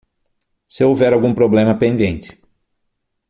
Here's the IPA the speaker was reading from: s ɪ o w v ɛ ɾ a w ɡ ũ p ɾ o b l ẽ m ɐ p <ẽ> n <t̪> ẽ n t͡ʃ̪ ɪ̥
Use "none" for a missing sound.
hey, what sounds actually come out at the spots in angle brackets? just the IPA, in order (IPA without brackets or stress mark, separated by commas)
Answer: ẽ, d̪